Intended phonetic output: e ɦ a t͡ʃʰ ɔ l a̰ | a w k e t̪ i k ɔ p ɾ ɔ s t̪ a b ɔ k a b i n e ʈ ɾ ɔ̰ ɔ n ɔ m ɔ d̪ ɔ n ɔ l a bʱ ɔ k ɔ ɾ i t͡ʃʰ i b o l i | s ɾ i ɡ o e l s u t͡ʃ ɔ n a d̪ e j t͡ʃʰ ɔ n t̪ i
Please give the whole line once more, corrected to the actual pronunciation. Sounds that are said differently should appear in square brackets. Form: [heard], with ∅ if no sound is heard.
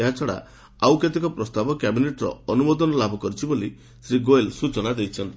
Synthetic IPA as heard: e ɦ a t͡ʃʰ ɔ [ɽ] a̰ | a w k e t̪ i k ɔ p ɾ ɔ s t̪ a b ɔ k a b i n e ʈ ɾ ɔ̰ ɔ n [u] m ɔ d̪ ɔ n ɔ l a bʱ ɔ k ɔ ɾ i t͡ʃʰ i b o l i | s ɾ i ɡ o e l s u t͡ʃ ɔ n a d̪ e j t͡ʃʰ ɔ n t̪ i

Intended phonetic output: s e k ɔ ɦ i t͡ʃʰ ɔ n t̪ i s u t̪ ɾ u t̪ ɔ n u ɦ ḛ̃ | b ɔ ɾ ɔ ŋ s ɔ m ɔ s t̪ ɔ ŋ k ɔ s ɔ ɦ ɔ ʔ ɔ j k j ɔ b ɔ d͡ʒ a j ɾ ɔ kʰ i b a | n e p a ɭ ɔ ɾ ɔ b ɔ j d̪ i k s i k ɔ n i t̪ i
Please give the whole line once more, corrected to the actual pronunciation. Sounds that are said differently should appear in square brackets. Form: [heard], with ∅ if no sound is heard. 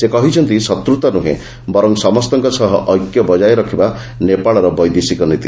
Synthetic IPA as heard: s e k ɔ ɦ i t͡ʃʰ ɔ n t̪ i s [ɔ] t̪ ɾ u t̪ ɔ n u ɦ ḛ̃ | b ɔ ɾ ɔ ŋ s ɔ m ɔ s t̪ ɔ ŋ k ɔ s ɔ ɦ ɔ ʔ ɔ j k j ɔ b ɔ d͡ʒ a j ɾ ɔ kʰ i b a | n e p a ɭ ɔ ɾ ɔ b ɔ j d̪ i [∅] s i k ɔ n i t̪ i

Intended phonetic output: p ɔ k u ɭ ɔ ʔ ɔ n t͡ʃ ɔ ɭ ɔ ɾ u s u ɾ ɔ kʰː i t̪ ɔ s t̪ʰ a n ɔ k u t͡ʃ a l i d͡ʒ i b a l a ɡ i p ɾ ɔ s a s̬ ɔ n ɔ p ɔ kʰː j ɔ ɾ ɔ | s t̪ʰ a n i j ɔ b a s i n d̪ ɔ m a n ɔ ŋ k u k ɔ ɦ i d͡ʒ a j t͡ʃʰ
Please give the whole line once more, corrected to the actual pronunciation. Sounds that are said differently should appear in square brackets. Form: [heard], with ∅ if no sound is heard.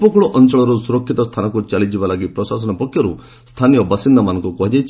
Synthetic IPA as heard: p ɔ k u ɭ ɔ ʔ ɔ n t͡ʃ ɔ ɭ ɔ ɾ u s u ɾ ɔ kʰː i t̪ ɔ s t̪ʰ a n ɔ k u t͡ʃ a l i d͡ʒ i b a l a ɡ i p ɾ ɔ s a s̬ ɔ n ɔ p ɔ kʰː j ɔ ɾ [u] | s t̪ʰ a n i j ɔ b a s i n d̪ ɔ m a n ɔ ŋ k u k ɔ ɦ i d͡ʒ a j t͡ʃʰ

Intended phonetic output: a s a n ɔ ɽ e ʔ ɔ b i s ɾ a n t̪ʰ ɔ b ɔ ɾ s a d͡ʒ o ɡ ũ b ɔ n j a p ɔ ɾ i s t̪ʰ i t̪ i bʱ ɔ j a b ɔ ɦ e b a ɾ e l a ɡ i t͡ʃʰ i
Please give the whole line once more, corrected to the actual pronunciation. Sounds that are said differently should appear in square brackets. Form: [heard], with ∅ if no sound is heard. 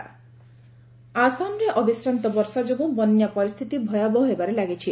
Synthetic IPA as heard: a s a n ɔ [ɾ] e ʔ ɔ b i s ɾ a n [t̪] ɔ b ɔ ɾ s a d͡ʒ o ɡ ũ b ɔ n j a p ɔ ɾ i s t̪ʰ i t̪ i bʱ ɔ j a b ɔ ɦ e b a ɾ e l a ɡ i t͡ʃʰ i

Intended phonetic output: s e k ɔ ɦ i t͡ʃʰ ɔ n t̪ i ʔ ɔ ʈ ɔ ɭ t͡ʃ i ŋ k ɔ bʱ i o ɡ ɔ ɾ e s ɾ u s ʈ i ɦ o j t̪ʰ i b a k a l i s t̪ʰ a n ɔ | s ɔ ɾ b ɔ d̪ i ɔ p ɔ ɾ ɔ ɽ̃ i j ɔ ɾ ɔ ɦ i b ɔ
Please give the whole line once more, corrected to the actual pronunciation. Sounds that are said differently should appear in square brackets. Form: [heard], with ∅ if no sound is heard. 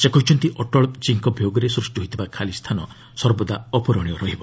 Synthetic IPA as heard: s e k ɔ ɦ i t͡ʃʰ ɔ n t̪ i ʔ ɔ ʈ ɔ ɭ t͡ʃ i ŋ k ɔ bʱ [j] o ɡ ɔ ɾ e s ɾ u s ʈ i ɦ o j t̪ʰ i b a [kʰ] a l i s t̪ʰ a n ɔ | s ɔ ɾ b ɔ d̪ [a] ɔ p ɔ ɾ ɔ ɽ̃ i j ɔ ɾ ɔ ɦ i b ɔ

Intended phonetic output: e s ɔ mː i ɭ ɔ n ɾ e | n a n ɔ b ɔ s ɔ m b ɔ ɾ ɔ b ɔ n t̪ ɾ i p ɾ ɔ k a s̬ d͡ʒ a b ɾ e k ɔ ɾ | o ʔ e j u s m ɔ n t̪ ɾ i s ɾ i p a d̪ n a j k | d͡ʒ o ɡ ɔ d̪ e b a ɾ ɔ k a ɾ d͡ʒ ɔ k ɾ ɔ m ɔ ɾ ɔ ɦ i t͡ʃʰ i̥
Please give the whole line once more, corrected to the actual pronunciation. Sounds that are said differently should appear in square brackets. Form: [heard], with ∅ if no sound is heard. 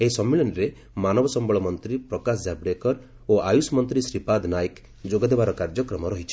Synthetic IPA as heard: e s ɔ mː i ɭ ɔ n ɾ e | [m] a n ɔ b ɔ s ɔ m b ɔ [ɭ] ɔ [m] ɔ n t̪ ɾ i p ɾ ɔ k a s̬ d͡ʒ a b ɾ e k ɔ ɾ | o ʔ [a] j u s m ɔ n t̪ ɾ i s ɾ i p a d̪ n a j k | d͡ʒ o ɡ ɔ d̪ e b a ɾ ɔ k a ɾ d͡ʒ ɔ k ɾ ɔ m ɔ ɾ ɔ ɦ i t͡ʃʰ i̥

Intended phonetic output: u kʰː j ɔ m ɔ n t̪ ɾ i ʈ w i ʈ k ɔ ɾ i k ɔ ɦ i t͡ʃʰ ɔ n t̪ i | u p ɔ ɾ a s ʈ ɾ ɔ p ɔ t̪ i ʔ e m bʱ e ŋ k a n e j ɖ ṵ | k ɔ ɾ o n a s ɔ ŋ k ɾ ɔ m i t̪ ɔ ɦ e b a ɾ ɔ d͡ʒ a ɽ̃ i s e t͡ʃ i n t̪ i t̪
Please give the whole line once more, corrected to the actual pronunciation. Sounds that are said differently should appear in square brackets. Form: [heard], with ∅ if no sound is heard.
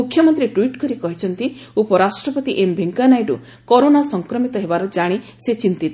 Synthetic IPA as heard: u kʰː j ɔ m ɔ n t̪ ɾ i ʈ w i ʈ k ɔ ɾ i k ɔ ɦ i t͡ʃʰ ɔ n t̪ i | u p ɔ ɾ a s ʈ ɾ ɔ p ɔ t̪ i ʔ e m bʱ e ŋ k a n [a] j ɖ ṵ | k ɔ ɾ o n a s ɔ ŋ k ɾ ɔ m i t̪ ɔ ɦ e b a ɾ ɔ d͡ʒ a ɽ̃ i s e t͡ʃ i n t̪ i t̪

